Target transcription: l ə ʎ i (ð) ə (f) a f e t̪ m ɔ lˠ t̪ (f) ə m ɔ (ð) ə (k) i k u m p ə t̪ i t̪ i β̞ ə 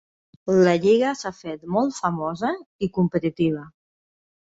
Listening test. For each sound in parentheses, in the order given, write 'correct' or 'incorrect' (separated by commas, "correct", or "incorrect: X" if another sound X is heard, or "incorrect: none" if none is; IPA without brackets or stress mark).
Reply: incorrect: ɣ, incorrect: s, correct, incorrect: z, incorrect: none